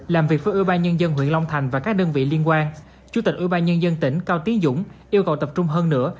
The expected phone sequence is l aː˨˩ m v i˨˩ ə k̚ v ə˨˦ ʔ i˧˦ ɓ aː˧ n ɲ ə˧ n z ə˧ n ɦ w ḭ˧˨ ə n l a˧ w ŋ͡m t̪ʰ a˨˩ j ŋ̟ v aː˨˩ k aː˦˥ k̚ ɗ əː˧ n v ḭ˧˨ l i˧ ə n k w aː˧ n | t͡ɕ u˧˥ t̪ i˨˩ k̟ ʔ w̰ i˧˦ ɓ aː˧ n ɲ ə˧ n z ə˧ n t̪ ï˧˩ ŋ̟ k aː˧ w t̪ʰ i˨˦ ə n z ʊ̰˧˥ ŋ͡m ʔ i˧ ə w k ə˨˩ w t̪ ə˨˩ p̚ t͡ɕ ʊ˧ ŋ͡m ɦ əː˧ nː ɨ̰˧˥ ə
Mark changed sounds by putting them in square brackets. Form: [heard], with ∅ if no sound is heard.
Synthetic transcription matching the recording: l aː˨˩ m v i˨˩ ə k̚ v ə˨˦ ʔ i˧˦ ɓ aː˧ n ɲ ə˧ n z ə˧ n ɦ w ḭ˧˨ ə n l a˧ w ŋ͡m t̪ʰ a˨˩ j ŋ̟ v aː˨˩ k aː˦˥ k̚ ɗ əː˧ n v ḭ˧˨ l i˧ ə n k w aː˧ n | t͡ɕ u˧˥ t̪ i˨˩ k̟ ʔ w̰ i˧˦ ɓ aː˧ n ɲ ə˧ n z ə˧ n t̪ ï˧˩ ŋ̟ k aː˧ w [t̪] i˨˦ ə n z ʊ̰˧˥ ŋ͡m ʔ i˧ ə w k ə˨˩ w t̪ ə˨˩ p̚ t͡ɕ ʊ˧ ŋ͡m ɦ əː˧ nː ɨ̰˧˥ ə

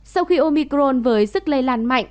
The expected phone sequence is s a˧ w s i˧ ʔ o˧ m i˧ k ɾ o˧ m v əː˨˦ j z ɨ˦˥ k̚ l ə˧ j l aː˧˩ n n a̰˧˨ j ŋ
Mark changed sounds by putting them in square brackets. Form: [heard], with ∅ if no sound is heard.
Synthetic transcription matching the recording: s a˧ w [x] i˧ ʔ o˧ m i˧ k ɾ o˧ [n] v əː˨˦ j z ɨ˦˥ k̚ l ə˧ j l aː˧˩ n [m] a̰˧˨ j ŋ

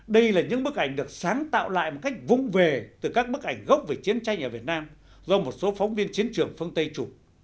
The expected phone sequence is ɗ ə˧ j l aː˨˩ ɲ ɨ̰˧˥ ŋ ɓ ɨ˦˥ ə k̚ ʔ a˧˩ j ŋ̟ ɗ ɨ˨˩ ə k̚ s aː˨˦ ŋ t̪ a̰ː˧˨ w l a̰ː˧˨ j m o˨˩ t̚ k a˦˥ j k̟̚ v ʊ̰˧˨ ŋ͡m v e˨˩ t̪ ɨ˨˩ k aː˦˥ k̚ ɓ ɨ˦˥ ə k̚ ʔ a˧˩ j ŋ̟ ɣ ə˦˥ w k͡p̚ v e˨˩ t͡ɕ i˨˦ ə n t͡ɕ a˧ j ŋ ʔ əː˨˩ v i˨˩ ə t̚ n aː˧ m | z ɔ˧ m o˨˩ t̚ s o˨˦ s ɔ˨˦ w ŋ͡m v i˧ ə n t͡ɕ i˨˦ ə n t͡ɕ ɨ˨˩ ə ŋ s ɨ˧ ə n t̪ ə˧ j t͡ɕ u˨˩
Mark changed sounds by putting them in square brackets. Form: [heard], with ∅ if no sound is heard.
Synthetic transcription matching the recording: ɗ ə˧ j l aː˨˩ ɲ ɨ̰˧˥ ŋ ɓ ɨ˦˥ ə k̚ ʔ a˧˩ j ŋ̟ ɗ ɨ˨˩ ə k̚ s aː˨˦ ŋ t̪ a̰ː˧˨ w l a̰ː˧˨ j m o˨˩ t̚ k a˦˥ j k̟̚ v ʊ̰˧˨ ŋ͡m v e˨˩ t̪ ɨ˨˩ k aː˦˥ k̚ ɓ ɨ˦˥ ə k̚ ʔ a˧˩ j ŋ̟ ɣ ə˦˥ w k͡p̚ v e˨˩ t͡ɕ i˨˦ ə n t͡ɕ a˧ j ŋ ʔ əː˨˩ v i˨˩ ə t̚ n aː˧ m | z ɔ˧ m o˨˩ t̚ s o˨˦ [f] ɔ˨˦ w ŋ͡m v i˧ ə n t͡ɕ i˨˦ ə n t͡ɕ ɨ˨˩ ə ŋ [f] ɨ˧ ə n t̪ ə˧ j t͡ɕ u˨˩

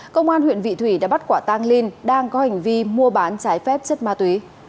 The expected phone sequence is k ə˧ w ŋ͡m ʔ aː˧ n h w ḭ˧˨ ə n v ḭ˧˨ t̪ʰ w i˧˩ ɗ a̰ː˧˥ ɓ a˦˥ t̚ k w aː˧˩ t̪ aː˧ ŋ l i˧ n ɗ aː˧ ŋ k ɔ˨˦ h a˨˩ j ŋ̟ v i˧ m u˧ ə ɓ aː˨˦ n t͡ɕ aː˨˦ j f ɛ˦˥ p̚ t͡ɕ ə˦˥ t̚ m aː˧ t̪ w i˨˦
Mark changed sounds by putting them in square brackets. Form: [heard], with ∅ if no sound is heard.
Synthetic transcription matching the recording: k ə˧ w ŋ͡m ʔ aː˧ n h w ḭ˧˨ ə n v ḭ˧˨ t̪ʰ w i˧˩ ɗ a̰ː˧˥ ɓ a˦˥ t̚ k w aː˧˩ t̪ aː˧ ŋ l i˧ n ɗ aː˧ ŋ k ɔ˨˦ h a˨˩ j ŋ̟ v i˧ m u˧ ə ɓ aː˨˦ n t͡ɕ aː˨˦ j f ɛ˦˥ p̚ t͡ɕ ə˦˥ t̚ m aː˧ t̪ w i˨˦

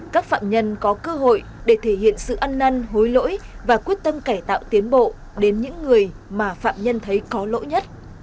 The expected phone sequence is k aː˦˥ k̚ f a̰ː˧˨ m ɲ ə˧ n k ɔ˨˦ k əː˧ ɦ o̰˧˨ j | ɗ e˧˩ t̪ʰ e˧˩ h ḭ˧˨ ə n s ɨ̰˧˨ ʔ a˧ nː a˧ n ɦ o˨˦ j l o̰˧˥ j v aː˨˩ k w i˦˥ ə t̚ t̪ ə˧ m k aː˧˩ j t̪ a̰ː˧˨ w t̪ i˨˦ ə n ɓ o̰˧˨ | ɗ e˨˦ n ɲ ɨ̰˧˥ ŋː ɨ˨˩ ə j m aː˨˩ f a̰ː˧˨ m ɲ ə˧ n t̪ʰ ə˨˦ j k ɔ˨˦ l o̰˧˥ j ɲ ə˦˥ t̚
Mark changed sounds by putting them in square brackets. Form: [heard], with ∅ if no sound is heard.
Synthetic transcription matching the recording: k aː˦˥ k̚ f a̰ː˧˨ m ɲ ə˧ n k ɔ˨˦ k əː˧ ɦ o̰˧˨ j | ɗ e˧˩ t̪ʰ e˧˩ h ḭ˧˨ ə n s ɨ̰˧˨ ʔ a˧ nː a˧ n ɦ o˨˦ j l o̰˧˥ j v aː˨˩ k w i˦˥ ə t̚ t̪ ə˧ m k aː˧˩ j t̪ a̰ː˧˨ w t̪ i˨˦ ə n ɓ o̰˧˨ | ɗ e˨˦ n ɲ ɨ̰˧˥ ŋː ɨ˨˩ ə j m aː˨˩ f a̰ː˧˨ m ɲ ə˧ n t̪ʰ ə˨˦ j k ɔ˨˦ l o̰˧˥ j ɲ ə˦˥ t̚

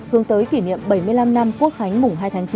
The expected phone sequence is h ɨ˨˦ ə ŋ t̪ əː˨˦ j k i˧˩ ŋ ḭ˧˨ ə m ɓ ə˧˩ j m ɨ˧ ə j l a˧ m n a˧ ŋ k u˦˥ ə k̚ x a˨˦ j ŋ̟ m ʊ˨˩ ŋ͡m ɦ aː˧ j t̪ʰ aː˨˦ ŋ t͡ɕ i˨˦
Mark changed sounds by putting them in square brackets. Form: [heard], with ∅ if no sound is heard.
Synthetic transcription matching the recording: h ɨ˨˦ ə ŋ t̪ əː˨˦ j k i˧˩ [n] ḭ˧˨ ə m ɓ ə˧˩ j m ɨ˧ ə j l a˧ m n a˧ [m] k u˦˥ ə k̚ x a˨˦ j ŋ̟ m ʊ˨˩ ŋ͡m ɦ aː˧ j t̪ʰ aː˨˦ ŋ t͡ɕ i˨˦

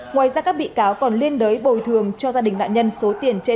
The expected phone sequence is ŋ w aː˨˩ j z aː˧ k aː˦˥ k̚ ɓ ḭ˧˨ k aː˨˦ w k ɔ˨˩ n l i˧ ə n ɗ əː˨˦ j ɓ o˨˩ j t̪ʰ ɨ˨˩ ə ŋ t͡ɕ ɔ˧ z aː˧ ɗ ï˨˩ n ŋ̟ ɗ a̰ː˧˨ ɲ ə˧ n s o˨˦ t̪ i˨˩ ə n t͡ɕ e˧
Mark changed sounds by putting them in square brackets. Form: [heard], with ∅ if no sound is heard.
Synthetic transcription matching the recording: ŋ w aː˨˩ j z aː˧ k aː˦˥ k̚ ɓ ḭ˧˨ k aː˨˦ w k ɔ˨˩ n l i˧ ə n ɗ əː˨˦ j ɓ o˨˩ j t̪ʰ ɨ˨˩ ə ŋ t͡ɕ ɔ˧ z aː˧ ɗ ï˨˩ [∅] ŋ̟ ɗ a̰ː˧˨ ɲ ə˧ n s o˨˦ t̪ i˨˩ ə n t͡ɕ e˧

